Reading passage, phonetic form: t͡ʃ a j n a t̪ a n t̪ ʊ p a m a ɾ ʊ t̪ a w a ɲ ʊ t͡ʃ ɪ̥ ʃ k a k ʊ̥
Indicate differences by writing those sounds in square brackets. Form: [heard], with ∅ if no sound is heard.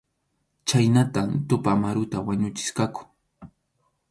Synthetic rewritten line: t͡ʃ a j n a t̪ a [m] t̪ ʊ p a m a ɾ ʊ t̪ a w a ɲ ʊ t͡ʃ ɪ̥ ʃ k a k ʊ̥